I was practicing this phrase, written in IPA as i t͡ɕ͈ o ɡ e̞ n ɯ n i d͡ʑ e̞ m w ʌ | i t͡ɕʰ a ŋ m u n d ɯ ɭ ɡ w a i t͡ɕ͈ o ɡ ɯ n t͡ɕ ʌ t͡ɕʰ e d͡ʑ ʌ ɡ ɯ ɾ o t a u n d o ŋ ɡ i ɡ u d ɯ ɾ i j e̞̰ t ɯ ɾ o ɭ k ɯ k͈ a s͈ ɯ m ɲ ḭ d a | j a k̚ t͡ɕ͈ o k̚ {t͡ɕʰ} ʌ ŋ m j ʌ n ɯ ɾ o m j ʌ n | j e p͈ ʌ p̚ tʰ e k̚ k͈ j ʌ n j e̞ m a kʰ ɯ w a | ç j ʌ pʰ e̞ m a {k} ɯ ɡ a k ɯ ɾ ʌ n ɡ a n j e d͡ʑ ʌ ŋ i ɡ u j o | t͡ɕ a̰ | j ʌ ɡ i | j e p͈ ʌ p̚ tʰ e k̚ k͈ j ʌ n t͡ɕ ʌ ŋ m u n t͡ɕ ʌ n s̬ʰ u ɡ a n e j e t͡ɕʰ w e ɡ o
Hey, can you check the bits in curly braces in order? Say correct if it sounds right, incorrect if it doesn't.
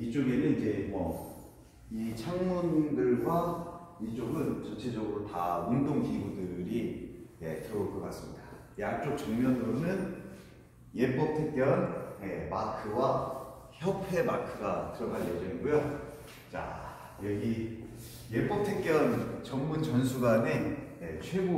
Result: incorrect: t͡ɕ, incorrect: kʰ

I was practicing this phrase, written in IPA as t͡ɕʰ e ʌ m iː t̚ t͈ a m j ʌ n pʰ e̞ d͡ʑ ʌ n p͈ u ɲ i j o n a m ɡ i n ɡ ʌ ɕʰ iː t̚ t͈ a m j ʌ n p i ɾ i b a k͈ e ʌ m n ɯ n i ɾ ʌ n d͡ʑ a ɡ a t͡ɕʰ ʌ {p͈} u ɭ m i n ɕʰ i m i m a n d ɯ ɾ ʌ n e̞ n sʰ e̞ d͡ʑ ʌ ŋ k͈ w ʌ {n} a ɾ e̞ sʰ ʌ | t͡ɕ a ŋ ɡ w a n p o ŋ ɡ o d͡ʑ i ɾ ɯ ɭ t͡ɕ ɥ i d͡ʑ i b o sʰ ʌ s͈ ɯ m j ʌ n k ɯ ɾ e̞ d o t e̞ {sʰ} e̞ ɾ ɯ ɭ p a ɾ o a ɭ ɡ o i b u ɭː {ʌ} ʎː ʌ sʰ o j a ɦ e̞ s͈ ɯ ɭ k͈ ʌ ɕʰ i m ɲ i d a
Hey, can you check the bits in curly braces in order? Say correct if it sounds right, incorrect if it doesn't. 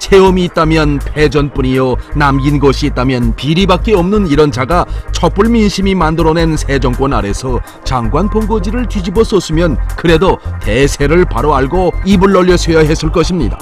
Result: correct, correct, correct, correct

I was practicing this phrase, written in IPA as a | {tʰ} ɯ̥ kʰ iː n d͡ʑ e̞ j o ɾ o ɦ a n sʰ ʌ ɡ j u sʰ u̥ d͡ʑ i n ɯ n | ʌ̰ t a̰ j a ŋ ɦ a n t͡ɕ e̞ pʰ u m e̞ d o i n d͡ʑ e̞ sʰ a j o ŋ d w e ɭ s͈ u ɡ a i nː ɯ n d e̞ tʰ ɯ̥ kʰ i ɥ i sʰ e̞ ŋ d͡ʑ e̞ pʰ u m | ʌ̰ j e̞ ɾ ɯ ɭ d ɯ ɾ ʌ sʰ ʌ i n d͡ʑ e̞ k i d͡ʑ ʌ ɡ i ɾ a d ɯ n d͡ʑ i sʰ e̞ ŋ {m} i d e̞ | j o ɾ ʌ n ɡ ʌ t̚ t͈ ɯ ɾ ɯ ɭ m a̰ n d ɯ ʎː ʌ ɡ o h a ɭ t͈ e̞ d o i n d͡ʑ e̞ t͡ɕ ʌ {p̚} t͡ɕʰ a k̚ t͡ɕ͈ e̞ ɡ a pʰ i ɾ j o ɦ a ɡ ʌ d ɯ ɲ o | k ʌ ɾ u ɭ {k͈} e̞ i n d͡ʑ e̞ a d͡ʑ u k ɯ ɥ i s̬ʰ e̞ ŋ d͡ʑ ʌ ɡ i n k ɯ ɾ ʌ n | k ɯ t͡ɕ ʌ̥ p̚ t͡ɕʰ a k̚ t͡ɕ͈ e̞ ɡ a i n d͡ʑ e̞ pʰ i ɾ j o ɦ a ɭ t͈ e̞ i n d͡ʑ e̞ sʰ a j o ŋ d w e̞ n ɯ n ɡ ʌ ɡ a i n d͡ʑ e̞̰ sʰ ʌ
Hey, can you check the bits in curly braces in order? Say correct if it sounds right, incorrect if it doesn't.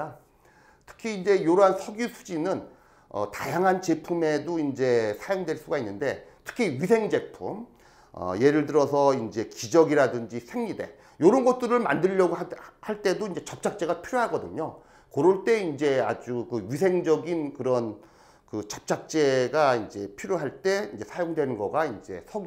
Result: correct, incorrect: ɲ, correct, incorrect: t͈

